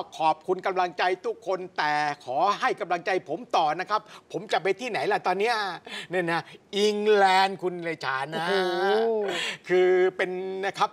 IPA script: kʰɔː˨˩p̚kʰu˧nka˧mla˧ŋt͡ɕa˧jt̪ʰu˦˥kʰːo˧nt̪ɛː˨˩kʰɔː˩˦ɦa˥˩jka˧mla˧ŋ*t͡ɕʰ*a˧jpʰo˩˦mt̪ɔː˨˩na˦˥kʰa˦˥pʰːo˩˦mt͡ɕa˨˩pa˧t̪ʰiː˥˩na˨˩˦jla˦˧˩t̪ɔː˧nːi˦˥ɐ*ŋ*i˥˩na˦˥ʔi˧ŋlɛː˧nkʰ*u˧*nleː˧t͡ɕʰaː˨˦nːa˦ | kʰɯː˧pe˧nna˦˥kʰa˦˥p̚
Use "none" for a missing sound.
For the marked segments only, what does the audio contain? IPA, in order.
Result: t͡ɕ, n, u˧

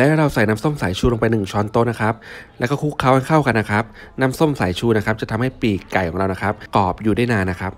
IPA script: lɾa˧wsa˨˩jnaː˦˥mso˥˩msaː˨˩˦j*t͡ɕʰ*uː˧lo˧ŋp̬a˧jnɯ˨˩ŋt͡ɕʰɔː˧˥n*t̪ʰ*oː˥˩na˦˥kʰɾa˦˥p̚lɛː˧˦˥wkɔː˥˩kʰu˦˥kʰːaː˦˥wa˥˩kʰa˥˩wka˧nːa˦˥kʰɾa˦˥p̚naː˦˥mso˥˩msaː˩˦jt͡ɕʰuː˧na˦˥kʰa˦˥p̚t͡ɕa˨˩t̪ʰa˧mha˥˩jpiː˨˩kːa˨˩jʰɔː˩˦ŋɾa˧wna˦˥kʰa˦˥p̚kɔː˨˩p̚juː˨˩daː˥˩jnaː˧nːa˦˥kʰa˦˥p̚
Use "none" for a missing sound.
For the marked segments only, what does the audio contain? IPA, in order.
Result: t͡ɕʰ, t̪

